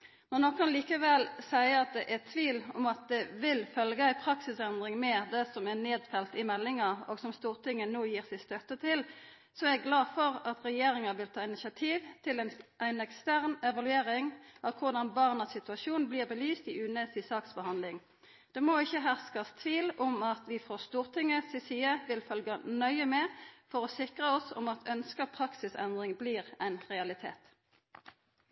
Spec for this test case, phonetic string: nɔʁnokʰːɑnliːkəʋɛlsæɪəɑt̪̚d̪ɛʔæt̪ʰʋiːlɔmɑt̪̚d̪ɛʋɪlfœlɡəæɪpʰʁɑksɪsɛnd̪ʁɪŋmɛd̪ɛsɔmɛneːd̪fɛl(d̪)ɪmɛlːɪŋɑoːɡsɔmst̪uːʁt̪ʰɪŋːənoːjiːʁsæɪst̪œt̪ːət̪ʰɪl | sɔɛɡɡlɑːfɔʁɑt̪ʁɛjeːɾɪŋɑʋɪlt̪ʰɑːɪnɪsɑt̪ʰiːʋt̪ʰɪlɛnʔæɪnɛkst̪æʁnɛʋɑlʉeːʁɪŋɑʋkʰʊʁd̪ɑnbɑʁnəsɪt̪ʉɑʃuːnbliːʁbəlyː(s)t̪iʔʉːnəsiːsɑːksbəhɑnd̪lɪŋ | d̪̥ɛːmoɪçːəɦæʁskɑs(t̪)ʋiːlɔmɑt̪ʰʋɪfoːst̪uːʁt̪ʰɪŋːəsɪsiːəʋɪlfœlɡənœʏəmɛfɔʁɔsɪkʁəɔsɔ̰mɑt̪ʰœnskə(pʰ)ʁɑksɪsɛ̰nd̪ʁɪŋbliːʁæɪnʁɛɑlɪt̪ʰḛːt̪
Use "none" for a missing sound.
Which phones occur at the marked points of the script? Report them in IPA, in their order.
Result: t̪, s, t̪ʰ, pʰ

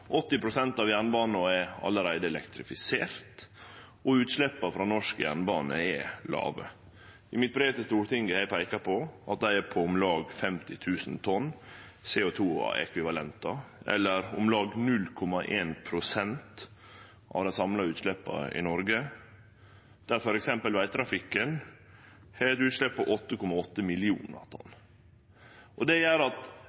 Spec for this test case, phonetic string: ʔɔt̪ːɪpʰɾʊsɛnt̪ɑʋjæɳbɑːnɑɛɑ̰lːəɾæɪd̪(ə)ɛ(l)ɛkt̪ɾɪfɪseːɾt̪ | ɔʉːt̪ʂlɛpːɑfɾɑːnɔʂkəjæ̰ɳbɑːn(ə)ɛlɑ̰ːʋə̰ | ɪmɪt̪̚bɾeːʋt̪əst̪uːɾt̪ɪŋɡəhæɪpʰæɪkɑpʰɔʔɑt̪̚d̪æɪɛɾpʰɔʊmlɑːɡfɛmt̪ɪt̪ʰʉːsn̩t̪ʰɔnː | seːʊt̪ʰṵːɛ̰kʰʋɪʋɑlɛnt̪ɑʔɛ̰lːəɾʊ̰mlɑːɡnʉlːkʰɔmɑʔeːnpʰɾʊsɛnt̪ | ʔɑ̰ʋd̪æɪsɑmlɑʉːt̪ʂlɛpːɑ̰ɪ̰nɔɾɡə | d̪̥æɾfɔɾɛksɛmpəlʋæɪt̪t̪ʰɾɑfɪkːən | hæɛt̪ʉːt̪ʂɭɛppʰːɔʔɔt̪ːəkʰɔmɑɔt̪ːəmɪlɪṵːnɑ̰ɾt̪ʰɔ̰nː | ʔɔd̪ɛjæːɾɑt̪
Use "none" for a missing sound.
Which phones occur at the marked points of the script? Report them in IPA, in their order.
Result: ə, l, ə

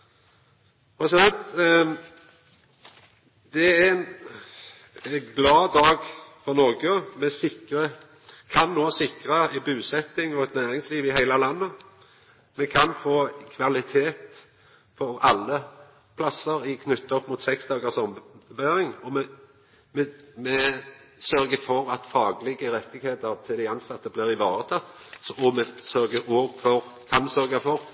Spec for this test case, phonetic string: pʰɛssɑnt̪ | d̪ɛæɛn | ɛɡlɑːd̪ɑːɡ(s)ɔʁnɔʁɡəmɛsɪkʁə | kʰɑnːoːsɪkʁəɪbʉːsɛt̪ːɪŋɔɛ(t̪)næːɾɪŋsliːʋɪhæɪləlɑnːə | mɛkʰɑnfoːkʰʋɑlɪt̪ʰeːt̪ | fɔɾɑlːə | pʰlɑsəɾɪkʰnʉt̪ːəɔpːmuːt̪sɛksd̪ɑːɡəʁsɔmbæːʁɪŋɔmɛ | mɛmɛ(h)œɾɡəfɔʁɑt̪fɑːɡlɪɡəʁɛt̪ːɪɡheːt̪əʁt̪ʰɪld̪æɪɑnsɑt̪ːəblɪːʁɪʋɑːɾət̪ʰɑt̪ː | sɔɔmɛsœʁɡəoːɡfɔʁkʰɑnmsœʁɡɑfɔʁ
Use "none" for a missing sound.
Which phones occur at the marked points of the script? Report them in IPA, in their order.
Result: f, t̪, s

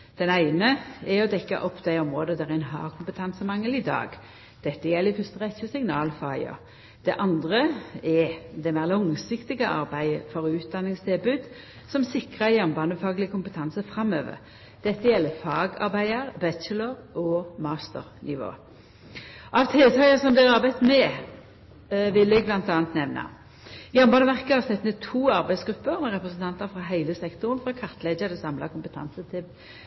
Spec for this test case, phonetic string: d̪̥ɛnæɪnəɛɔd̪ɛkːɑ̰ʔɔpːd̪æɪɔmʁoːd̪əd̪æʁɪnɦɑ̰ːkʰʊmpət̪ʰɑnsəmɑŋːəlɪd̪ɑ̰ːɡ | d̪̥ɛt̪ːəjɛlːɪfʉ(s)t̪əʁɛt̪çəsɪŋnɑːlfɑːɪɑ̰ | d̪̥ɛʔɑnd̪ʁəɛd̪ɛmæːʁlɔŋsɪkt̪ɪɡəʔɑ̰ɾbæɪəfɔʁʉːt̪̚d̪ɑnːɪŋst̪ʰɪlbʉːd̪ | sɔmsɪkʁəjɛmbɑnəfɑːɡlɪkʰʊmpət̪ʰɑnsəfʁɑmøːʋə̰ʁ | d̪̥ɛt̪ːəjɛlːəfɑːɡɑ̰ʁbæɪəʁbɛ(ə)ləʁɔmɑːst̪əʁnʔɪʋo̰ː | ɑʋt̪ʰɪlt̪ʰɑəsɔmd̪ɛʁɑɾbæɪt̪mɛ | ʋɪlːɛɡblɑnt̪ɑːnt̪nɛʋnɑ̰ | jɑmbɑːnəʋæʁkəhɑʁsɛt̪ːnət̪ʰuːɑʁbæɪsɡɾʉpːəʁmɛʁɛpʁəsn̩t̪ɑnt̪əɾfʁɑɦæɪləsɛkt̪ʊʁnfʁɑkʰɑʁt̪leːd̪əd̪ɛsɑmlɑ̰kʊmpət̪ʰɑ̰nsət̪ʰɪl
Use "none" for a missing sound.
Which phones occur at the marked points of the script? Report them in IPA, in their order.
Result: s, ə

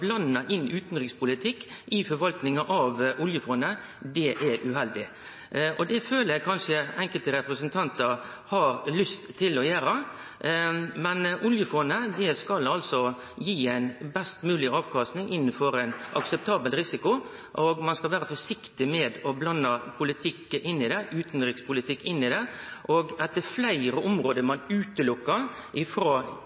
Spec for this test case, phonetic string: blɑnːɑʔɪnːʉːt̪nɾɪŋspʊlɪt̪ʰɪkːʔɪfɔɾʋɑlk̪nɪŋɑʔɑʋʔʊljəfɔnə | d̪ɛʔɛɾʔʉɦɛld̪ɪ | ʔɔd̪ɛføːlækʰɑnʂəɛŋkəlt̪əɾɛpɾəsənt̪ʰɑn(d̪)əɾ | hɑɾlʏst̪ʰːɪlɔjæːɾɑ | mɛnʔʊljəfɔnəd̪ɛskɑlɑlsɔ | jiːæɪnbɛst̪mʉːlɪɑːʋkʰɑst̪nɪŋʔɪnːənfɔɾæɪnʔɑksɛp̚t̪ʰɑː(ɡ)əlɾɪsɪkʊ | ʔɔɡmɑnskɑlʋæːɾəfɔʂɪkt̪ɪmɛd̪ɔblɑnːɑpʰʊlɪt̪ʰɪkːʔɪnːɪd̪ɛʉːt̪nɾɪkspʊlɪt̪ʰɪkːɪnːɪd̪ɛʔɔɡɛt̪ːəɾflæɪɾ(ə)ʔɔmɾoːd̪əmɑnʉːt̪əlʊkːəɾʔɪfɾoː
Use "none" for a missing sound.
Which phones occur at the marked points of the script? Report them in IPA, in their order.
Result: t̪, b, ə

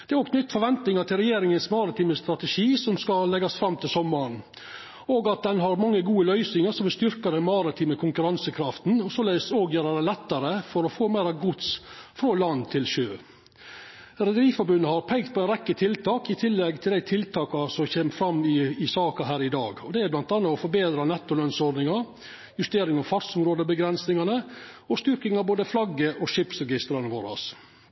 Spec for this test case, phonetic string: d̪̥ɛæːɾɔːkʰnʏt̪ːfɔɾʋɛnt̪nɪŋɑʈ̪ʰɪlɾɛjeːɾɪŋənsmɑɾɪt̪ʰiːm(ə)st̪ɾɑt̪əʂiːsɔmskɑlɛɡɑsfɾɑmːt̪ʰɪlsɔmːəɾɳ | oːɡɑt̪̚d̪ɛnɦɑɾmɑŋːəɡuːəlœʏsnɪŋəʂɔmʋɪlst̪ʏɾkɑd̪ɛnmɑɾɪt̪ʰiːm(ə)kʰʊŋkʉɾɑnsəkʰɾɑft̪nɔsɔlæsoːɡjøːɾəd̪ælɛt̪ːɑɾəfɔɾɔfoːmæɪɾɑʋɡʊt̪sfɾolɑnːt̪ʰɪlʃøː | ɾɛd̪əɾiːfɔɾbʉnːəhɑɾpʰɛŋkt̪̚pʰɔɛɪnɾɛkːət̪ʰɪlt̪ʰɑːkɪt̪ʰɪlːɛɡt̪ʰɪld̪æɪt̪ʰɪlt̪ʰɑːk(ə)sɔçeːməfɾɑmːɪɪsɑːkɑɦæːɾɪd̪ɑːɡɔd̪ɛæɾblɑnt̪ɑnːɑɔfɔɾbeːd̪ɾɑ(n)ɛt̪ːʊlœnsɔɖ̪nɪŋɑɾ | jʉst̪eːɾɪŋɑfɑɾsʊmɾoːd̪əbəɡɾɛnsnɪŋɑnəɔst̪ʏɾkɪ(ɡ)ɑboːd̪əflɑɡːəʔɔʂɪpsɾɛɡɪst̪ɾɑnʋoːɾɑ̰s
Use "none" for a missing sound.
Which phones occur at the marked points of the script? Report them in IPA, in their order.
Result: ə, ə, ɑ, n, ŋ

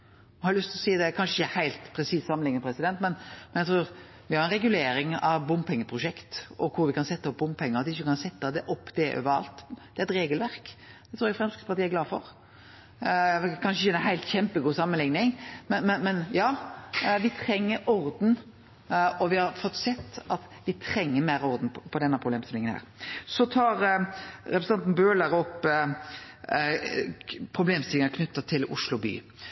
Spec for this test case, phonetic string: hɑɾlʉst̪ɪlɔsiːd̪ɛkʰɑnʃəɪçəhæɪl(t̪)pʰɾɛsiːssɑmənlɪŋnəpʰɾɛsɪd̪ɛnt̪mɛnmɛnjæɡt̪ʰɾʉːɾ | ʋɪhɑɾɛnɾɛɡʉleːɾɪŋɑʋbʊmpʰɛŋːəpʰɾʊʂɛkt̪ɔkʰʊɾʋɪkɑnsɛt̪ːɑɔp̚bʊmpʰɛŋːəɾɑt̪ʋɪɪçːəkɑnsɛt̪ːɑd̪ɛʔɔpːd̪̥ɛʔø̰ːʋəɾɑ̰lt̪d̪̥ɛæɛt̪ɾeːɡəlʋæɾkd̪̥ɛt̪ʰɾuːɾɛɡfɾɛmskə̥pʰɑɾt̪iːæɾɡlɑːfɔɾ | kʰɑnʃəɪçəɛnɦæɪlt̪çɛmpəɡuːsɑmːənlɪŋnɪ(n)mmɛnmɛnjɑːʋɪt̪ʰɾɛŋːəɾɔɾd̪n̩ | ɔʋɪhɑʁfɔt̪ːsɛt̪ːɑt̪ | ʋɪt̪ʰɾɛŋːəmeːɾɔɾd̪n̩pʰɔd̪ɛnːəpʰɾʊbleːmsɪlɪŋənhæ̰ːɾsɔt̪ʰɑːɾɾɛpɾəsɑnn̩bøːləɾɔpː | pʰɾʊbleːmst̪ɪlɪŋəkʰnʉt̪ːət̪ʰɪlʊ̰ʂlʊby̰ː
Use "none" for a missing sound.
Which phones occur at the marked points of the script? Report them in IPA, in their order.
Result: t̪, ŋ

